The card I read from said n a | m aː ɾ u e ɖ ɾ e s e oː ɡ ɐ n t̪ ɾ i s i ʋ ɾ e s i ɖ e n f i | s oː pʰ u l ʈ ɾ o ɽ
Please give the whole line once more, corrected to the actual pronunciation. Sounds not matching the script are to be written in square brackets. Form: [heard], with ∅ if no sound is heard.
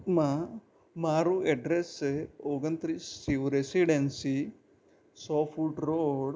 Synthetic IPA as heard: [m] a | m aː ɾ u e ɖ ɾ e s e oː ɡ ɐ n t̪ ɾ i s i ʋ ɾ e s i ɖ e n [s] i | s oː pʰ u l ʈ ɾ o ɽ